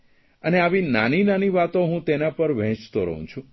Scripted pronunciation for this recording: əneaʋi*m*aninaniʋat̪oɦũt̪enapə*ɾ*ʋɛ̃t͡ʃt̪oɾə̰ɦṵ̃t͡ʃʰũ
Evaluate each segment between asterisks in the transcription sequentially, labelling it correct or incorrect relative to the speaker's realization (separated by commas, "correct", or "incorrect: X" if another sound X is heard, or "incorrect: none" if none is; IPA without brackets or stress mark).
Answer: incorrect: n, correct